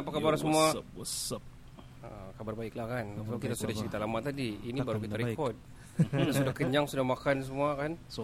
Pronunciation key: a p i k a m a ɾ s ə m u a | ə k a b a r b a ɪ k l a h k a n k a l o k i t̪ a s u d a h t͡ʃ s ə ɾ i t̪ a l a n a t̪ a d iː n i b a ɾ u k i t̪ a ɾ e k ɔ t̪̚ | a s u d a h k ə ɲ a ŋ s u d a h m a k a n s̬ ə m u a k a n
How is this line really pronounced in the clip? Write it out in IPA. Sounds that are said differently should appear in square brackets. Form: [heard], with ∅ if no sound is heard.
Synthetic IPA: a p [a] k a [b] a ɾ s ə m u a | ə k a b a r b a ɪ k l a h k a n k a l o k i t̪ a s u d a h t͡ʃ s ə ɾ i t̪ a l a [m] a t̪ a d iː n i b a ɾ u k i t̪ a ɾ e k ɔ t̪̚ | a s u d a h k ə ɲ a ŋ s u d a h m a k a n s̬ ə m u a k a n